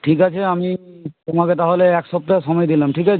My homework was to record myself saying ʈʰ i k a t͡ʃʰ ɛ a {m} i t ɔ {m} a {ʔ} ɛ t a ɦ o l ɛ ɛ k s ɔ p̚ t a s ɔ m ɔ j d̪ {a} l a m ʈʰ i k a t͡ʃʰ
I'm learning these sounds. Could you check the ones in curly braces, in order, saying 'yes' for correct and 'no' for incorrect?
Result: yes, yes, no, no

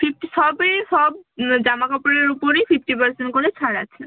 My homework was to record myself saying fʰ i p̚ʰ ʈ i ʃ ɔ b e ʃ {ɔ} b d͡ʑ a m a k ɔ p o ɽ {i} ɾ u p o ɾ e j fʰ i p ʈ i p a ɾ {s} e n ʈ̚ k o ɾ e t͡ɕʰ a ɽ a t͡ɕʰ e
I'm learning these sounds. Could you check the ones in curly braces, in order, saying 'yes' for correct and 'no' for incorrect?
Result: yes, no, yes

